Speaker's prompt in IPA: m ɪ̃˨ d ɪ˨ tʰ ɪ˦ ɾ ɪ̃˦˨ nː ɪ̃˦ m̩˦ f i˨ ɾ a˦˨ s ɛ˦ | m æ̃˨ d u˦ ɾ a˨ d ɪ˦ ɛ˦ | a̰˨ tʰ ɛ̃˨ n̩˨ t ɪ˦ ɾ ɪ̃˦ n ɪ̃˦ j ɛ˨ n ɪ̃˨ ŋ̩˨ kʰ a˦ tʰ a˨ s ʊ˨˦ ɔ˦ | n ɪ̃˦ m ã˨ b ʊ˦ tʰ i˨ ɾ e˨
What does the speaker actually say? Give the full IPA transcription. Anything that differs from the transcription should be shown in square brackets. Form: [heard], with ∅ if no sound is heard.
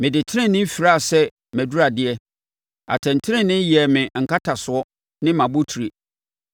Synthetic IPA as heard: m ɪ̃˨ d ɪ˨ tʰ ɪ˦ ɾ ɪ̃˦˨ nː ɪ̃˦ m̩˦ f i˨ ɾ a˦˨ s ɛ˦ | m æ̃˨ d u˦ ɾ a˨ d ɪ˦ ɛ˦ | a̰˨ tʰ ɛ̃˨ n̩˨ [tʰ] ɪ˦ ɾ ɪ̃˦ n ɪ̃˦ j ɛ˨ [m] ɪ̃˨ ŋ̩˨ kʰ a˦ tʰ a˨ s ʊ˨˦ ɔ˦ | n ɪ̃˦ m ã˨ b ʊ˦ tʰ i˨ ɾ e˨